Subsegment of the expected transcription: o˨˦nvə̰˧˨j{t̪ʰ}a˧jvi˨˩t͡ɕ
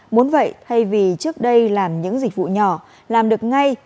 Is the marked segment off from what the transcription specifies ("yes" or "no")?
no